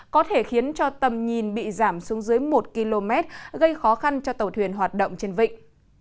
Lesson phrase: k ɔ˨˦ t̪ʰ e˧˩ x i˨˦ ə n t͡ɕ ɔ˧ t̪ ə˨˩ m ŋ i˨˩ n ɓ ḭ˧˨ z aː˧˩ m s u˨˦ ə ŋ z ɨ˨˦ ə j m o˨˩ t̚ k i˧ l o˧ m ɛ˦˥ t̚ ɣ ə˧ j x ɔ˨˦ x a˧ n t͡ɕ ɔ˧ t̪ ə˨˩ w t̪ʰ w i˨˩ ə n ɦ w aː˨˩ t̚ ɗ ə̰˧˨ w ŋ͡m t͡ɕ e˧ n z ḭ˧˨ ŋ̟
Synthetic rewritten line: k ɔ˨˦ t̪ʰ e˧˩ x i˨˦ ə n t͡ɕ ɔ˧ t̪ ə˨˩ m ɲ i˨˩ n ɓ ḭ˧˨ z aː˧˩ m s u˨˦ ə ŋ z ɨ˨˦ ə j m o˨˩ t̚ k i˧ l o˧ m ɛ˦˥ t̚ ɣ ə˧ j x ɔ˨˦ x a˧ n t͡ɕ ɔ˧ t̪ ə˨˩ w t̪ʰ w i˨˩ ə n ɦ w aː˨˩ t̚ ɗ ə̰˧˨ w ŋ͡m t͡ɕ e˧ n v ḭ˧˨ ŋ̟